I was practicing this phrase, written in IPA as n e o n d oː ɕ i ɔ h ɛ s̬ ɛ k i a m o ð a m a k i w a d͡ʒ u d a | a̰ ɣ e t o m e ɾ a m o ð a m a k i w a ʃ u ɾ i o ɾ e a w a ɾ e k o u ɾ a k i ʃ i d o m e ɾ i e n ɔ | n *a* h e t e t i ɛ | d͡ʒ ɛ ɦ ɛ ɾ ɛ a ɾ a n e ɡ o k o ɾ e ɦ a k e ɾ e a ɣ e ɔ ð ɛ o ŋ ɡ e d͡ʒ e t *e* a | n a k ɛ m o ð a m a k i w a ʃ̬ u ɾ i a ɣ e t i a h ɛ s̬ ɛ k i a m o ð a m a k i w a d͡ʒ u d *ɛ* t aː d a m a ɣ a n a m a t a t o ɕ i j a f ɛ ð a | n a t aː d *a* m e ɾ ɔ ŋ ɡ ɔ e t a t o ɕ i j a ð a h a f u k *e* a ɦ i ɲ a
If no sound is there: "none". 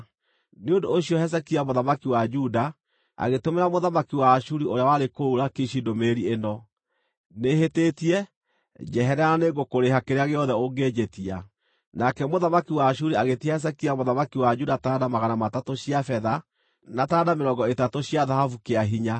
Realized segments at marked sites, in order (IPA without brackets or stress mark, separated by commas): e, i, a, a, e